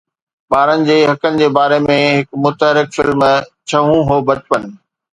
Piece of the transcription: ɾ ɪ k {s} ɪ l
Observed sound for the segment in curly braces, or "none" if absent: f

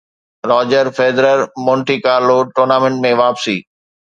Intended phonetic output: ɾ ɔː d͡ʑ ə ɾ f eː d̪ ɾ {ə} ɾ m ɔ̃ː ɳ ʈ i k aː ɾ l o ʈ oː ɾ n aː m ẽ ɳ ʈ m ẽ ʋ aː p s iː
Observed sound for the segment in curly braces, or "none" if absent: ə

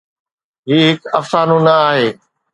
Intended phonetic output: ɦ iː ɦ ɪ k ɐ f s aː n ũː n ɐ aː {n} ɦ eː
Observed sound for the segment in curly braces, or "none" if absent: none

